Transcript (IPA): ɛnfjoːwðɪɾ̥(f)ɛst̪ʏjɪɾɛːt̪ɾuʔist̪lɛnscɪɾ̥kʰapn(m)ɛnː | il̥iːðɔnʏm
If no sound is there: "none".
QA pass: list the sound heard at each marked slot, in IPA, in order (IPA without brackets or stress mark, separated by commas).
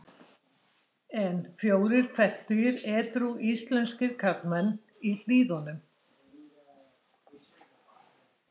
f, m